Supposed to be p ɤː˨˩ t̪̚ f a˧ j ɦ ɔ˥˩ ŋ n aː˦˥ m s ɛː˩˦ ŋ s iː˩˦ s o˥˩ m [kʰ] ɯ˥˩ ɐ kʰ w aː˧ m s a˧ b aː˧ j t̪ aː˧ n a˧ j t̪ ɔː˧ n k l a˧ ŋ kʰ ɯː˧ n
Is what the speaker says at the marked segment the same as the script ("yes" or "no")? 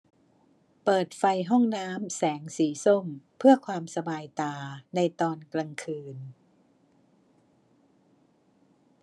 no